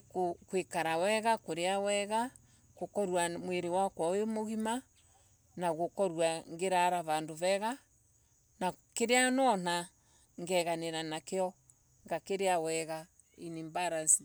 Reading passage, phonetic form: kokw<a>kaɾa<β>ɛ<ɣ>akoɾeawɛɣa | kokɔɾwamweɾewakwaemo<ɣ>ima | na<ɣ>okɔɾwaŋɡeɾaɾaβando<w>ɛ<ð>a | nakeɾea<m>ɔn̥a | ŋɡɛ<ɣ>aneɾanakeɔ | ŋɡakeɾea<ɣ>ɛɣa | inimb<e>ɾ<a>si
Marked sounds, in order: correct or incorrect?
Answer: incorrect: e, incorrect: w, correct, correct, correct, incorrect: β, incorrect: ɣ, incorrect: n, correct, incorrect: w, incorrect: a, correct

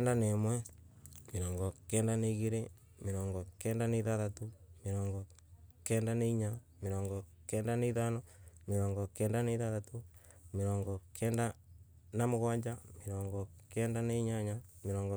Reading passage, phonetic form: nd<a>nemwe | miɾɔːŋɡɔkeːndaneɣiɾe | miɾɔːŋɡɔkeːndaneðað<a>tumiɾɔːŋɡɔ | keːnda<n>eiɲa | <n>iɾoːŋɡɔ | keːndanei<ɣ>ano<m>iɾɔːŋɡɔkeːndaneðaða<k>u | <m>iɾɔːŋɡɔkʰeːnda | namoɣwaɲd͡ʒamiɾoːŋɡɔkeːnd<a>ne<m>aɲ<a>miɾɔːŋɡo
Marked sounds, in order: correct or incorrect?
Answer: correct, correct, correct, incorrect: m, incorrect: ð, correct, incorrect: t, correct, correct, incorrect: ɲ, correct

